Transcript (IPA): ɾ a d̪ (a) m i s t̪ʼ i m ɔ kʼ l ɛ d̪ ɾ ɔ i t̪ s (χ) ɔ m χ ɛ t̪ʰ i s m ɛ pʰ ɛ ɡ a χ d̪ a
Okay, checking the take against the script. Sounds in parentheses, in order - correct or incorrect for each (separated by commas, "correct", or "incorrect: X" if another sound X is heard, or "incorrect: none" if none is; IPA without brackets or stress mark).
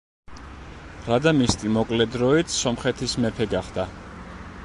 correct, incorrect: s